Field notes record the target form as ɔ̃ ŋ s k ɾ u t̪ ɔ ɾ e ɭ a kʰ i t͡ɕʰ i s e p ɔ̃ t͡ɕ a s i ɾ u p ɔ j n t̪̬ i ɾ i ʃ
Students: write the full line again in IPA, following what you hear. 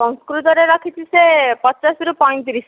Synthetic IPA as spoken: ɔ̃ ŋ s k ɾ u t̪ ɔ ɾ e ɾ a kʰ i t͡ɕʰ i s e p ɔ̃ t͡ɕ a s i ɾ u p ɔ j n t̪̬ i ɾ i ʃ